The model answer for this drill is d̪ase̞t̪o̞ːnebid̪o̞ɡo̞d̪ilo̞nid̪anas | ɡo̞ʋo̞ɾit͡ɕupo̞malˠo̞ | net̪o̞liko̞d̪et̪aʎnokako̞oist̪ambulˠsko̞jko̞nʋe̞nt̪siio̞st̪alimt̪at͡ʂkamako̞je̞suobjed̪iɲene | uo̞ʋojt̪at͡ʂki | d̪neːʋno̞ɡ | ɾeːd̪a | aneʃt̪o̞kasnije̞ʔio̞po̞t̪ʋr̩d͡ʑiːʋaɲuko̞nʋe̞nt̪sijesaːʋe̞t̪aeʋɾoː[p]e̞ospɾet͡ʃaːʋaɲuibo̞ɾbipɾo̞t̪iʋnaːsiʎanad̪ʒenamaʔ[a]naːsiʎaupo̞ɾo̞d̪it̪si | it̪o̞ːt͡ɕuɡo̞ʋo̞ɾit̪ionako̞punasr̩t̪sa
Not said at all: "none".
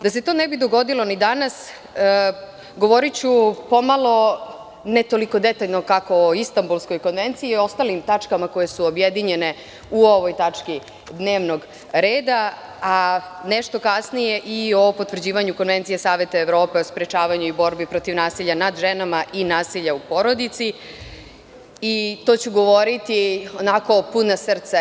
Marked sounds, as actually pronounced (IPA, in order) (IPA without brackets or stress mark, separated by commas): p, i